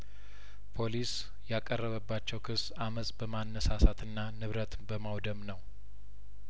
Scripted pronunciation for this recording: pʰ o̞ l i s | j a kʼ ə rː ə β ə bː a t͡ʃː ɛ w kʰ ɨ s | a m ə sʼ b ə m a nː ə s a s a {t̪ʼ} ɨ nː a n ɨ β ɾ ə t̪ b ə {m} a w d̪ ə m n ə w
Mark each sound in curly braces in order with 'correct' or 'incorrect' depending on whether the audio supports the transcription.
incorrect: t̪, correct

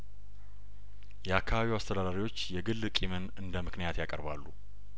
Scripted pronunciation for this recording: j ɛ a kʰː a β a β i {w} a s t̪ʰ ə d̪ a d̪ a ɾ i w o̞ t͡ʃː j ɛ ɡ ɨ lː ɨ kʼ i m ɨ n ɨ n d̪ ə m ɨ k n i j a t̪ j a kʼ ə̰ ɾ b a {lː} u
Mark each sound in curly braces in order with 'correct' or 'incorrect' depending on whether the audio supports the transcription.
correct, correct

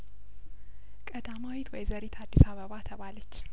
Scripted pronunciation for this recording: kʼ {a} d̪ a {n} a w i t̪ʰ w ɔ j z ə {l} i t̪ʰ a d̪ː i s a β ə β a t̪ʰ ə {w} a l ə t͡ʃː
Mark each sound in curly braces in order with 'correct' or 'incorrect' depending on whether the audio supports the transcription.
incorrect: ə, incorrect: m, incorrect: ɾ, incorrect: β

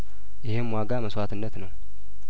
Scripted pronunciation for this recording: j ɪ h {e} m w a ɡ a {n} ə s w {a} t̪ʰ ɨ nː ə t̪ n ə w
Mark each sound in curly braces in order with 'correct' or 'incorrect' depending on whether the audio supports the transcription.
correct, incorrect: m, correct

